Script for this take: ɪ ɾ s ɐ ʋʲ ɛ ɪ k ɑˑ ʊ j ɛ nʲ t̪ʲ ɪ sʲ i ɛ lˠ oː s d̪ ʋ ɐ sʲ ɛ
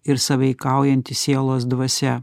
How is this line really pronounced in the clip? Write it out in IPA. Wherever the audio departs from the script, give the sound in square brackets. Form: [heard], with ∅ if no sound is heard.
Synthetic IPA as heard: ɪ ɾ s ɐ ʋʲ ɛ ɪ k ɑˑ ʊ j ɛ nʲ t̪ʲ ɪ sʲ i ɛ lˠ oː s d̪ ʋ ɐ sʲ ɛ